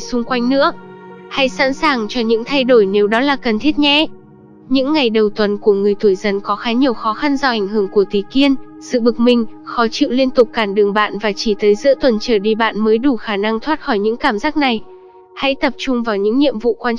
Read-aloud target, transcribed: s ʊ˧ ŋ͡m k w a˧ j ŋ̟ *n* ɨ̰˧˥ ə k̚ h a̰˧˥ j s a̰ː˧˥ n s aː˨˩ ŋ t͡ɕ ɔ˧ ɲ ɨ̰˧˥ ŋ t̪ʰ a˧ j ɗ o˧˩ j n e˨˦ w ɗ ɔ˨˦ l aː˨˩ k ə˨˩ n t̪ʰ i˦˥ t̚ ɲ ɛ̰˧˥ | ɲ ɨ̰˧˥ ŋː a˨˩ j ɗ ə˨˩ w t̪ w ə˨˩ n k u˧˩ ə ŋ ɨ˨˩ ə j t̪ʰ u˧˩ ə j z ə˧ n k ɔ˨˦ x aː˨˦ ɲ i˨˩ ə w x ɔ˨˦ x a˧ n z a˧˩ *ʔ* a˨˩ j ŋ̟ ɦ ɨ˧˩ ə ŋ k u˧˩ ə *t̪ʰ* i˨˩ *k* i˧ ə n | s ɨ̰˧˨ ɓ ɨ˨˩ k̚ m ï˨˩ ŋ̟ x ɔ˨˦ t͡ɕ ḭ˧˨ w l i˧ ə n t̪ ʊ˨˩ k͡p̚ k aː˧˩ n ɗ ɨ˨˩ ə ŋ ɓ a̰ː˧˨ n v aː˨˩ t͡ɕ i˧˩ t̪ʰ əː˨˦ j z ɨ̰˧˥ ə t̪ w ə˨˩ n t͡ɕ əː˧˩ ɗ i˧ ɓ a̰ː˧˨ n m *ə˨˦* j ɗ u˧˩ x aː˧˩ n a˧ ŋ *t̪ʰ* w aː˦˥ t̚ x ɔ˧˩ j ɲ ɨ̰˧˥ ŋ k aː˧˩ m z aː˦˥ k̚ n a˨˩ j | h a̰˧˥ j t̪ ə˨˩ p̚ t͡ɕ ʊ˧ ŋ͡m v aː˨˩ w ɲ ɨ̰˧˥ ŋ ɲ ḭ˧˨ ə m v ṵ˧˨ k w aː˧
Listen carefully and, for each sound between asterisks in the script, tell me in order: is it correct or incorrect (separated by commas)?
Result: correct, correct, incorrect, correct, incorrect, correct